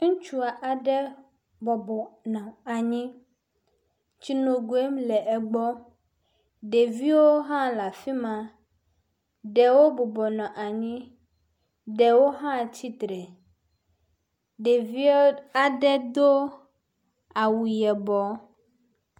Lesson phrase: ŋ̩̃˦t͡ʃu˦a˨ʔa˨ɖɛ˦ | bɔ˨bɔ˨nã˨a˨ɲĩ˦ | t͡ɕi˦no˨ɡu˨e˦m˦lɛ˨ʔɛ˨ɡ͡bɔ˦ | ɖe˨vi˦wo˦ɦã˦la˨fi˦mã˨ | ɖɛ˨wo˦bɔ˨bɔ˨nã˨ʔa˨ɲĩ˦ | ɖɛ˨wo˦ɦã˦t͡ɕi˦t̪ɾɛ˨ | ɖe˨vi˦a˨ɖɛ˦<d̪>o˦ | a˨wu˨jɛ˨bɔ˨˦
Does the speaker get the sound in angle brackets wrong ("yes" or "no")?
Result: no